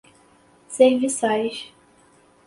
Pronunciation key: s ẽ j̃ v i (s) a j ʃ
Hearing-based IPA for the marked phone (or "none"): s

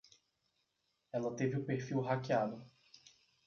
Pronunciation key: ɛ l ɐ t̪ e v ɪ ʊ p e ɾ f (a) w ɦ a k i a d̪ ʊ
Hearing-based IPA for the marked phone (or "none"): i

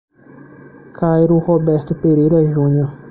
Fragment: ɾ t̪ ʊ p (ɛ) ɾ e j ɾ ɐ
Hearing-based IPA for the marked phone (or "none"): e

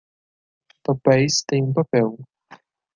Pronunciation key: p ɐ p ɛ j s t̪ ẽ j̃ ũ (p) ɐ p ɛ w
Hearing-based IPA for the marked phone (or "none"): p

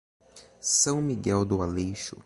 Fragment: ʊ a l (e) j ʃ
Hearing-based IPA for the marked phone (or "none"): e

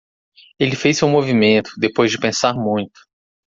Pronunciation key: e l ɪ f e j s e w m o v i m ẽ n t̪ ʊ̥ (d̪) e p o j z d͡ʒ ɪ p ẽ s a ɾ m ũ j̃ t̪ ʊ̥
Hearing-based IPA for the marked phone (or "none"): d̪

